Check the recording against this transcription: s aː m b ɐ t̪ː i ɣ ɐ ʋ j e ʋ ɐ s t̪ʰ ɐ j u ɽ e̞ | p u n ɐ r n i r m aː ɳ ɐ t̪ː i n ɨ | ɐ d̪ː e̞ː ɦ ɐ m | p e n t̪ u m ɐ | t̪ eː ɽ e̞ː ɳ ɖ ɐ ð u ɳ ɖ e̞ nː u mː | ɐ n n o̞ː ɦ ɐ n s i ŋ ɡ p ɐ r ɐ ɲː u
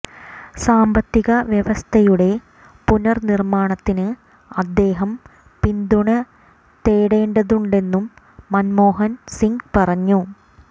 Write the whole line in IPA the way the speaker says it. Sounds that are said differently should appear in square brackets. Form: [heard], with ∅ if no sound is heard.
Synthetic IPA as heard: s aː m b ɐ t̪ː i ɣ ɐ ʋ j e ʋ ɐ s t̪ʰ ɐ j u ɽ e̞ | p u n ɐ r n i r m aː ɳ ɐ t̪ː i n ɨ | ɐ d̪ː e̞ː ɦ ɐ m | p [i] n [d̪] u [ɳ] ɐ | t̪ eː ɽ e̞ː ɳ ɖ ɐ ð u ɳ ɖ e̞ nː u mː | ɐ n [m] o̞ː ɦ ɐ n s i ŋ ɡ p ɐ r ɐ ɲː u